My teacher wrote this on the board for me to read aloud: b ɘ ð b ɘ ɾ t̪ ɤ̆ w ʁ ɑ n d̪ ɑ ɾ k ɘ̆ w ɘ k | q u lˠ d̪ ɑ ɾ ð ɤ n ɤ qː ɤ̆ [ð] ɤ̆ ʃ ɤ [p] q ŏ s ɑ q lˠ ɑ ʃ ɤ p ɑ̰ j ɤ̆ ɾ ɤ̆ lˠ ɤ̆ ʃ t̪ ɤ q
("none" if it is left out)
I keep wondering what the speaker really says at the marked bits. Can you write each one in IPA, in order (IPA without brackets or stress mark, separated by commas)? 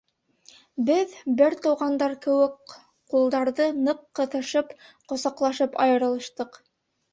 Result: θ, p